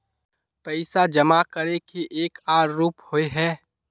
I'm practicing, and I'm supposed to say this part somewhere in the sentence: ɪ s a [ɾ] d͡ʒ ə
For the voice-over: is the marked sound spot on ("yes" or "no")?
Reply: no